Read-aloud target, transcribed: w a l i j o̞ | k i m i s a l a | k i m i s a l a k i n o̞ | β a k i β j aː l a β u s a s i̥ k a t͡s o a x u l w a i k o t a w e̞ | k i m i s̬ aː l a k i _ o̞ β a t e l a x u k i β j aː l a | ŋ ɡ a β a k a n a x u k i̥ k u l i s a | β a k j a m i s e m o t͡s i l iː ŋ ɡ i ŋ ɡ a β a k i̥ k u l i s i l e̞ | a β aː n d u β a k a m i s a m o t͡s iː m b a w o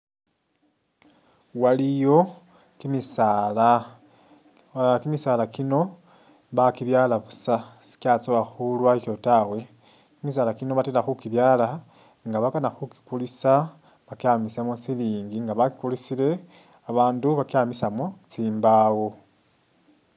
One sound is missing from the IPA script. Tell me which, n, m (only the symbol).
n